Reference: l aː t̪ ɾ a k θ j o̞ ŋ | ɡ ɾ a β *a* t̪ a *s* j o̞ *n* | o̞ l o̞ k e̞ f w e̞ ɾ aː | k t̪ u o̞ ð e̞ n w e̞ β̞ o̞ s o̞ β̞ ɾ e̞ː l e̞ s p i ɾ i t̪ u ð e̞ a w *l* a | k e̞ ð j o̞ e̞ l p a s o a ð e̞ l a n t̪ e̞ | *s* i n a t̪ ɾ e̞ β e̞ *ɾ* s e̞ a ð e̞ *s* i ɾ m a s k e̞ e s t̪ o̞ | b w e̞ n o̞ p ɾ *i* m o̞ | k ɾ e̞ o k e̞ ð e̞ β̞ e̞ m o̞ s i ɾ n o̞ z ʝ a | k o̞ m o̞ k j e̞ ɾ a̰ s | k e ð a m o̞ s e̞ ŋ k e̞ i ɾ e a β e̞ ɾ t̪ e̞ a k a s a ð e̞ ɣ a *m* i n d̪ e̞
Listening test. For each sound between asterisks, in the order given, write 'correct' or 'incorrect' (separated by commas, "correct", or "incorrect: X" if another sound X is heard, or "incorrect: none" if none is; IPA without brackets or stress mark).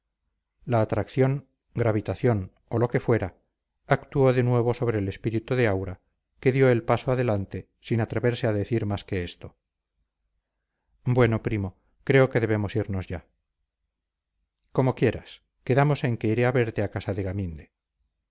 incorrect: i, incorrect: θ, correct, incorrect: ɾ, correct, correct, incorrect: θ, correct, correct